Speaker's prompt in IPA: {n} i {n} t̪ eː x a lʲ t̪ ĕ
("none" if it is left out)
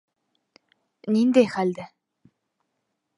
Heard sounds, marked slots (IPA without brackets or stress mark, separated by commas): n, n